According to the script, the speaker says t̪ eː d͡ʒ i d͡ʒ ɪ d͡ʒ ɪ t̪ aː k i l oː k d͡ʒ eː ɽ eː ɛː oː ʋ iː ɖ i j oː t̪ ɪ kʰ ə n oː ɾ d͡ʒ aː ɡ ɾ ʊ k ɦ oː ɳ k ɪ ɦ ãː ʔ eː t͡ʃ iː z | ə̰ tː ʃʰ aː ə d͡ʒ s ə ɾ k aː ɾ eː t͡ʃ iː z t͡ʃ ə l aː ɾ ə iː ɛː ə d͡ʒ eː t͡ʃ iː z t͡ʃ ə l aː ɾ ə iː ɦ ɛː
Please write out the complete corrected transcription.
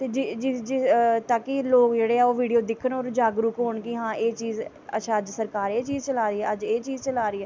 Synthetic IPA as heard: t̪ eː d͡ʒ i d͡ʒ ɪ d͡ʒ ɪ t̪ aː k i l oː k d͡ʒ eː ɽ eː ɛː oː ʋ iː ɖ i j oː d̪ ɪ kʰ ə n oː ɾ d͡ʒ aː ɡ ɾ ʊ k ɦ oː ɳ k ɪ ɦ ãː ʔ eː t͡ʃ iː z | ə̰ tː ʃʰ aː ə d͡ʒ s ə ɾ k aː ɾ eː t͡ʃ iː z t͡ʃ ə l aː ɾ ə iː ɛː ə d͡ʒ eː t͡ʃ iː z t͡ʃ ə l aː ɾ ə iː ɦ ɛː

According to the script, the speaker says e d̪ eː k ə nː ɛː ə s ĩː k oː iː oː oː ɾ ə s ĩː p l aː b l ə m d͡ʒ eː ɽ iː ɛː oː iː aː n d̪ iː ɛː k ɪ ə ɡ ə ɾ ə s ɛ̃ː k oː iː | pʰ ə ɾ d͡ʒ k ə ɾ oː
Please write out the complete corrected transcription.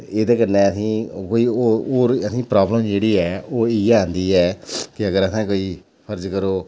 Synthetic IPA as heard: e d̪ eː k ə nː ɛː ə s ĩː k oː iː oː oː ɾ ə s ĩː p ɾ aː b l ə m d͡ʒ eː ɽ iː ɛː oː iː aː n d̪ iː ɛː k ɪ ə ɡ ə ɾ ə s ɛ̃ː k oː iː | pʰ ə ɾ d͡ʒ k ə ɾ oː

